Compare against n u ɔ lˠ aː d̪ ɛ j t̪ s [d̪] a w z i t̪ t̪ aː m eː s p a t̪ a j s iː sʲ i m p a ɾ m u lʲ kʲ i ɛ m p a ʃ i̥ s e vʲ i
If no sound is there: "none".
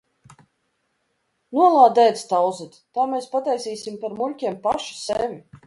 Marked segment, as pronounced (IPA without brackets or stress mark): t̪